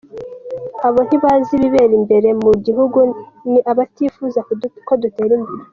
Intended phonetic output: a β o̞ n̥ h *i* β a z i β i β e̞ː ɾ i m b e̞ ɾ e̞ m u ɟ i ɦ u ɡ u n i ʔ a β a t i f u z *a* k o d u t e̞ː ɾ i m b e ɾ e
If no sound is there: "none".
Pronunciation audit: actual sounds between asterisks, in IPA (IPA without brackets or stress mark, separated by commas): i, a